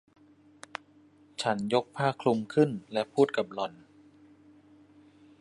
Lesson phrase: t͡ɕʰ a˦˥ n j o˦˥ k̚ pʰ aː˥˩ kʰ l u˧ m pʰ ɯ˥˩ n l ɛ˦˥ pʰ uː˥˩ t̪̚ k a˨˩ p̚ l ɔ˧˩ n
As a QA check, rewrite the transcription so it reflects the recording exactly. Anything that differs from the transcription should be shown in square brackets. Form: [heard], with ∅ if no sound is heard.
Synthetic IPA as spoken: t͡ɕʰ a˦˥ n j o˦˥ k̚ pʰ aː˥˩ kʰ l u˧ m [kʰ] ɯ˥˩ n l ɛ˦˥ pʰ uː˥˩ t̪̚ k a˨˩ p̚ l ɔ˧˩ n